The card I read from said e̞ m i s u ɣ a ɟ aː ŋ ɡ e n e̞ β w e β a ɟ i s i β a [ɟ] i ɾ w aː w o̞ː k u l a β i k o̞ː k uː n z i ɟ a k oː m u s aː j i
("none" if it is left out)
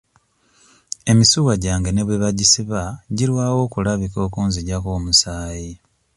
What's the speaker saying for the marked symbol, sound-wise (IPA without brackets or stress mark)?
ɟ